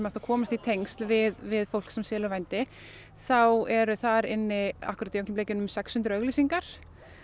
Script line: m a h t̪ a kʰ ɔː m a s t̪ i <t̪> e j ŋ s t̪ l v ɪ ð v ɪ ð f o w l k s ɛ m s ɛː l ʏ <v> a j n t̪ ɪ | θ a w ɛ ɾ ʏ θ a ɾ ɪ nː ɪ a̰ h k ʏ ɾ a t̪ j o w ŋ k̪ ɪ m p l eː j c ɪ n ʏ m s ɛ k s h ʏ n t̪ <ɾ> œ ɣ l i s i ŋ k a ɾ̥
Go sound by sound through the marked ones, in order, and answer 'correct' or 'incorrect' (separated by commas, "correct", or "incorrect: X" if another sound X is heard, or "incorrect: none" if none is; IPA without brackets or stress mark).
incorrect: t̪ʰ, correct, correct